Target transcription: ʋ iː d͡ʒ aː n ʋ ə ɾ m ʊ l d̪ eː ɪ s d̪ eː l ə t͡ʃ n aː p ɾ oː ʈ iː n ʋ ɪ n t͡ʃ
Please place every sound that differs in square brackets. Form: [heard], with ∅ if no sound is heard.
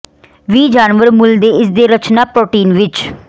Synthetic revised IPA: ʋ iː d͡ʒ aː n ʋ ə ɾ m ʊ l d̪ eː ɪ s d̪ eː [ɾ] ə t͡ʃ n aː p ɾ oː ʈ iː n ʋ ɪ [∅] t͡ʃ